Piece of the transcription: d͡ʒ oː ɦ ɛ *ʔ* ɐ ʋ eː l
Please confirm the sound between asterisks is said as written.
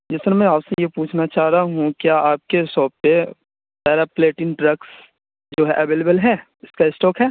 yes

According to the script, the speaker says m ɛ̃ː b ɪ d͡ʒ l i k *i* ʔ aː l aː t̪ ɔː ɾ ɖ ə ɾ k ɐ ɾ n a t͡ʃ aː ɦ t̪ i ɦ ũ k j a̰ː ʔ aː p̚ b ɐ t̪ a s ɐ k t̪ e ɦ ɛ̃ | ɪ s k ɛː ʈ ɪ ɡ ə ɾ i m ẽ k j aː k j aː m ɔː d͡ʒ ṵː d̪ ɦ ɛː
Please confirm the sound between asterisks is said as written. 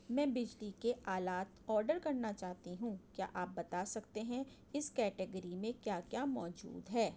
no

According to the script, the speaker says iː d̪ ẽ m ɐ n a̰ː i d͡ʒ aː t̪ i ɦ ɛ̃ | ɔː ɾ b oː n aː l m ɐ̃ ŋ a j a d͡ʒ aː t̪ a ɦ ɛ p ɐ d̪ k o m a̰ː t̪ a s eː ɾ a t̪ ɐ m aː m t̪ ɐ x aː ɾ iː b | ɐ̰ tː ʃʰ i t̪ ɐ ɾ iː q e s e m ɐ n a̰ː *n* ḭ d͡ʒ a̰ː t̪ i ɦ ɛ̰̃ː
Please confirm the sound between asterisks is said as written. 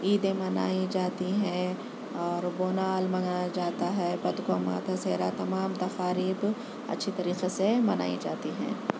no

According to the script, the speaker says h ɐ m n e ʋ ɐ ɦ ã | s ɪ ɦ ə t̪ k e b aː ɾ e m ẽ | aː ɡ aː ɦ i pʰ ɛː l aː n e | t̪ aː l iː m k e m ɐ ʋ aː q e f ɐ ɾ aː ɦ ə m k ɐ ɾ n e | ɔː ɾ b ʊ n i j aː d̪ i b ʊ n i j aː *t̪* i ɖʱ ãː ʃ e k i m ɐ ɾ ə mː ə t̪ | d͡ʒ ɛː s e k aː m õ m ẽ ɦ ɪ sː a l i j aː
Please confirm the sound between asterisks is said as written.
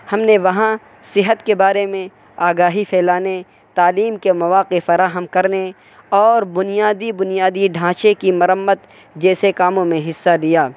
no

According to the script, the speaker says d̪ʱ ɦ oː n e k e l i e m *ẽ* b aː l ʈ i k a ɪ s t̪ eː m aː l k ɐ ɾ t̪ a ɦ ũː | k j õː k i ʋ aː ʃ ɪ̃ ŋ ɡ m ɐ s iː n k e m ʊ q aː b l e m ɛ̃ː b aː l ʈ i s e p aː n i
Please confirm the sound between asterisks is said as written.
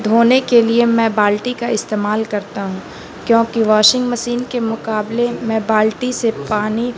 no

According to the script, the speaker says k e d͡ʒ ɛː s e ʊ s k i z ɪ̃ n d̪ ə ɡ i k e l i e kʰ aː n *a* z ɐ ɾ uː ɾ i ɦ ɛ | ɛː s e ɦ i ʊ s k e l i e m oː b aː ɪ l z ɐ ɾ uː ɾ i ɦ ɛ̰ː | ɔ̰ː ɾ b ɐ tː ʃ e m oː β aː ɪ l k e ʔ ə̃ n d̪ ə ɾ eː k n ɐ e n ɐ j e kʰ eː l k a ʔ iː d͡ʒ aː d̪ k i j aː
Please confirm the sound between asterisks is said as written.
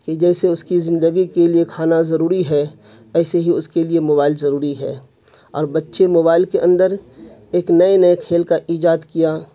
yes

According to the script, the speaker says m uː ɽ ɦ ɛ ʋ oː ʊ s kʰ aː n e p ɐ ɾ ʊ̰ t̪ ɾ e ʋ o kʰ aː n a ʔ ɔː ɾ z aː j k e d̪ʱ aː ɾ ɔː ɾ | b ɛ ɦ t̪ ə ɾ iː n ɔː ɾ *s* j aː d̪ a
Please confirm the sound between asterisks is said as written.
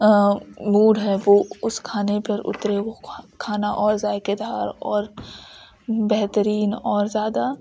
no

